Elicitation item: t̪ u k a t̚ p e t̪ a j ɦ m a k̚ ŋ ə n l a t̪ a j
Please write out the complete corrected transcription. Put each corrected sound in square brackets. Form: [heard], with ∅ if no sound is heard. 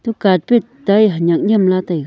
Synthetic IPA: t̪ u k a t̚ p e t̪ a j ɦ [ɲ] a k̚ [ɲ] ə [m] l a t̪ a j